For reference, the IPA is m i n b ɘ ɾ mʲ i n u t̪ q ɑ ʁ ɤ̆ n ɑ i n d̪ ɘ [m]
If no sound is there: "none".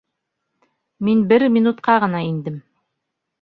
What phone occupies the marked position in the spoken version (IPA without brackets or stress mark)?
m